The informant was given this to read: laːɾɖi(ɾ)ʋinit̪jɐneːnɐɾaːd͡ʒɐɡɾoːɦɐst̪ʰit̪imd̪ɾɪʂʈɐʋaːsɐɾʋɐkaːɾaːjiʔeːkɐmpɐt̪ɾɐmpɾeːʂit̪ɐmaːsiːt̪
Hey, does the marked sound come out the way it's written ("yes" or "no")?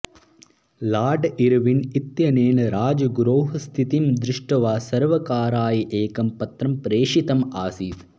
yes